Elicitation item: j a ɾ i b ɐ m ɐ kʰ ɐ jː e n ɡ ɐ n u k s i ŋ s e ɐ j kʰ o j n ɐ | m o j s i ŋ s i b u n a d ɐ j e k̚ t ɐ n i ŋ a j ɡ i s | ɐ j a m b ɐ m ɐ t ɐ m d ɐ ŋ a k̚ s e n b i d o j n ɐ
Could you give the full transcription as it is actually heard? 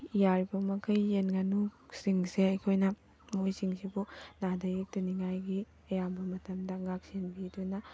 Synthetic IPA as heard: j a ɾ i b ɐ m ɐ kʰ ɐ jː e n ɡ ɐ n u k s i ŋ s e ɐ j kʰ o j n ɐ | m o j s i ŋ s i b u n a d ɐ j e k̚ t ɐ n i ŋ a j ɡ i | ɐ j a m b ɐ m ɐ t ɐ m d ɐ ŋ a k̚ s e n b i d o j n ɐ